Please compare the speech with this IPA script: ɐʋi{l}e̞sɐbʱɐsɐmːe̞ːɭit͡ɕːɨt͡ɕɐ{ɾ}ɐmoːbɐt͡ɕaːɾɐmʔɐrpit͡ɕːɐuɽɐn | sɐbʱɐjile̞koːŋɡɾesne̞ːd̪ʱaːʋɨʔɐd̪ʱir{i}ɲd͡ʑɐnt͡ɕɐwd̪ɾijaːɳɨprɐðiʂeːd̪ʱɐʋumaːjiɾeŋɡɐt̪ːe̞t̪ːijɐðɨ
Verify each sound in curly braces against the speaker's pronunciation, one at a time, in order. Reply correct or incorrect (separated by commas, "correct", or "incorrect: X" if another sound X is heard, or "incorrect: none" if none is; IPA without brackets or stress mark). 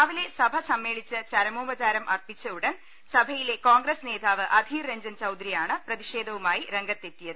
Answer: correct, correct, incorrect: e